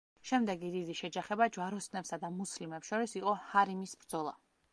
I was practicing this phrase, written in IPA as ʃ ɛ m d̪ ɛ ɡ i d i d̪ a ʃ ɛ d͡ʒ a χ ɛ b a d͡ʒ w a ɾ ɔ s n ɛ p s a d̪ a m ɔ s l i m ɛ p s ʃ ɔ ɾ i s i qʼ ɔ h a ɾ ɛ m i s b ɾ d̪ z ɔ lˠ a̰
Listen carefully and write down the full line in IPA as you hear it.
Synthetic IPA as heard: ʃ ɛ m d̪ ɛ ɡ i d i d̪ i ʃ ɛ d͡ʒ a χ ɛ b a d͡ʒ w a ɾ ɔ s n ɛ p s a d̪ a m u s l i m ɛ p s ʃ ɔ ɾ i s i qʼ ɔ h a ɾ i m i s b ɾ d̪ z ɔ lˠ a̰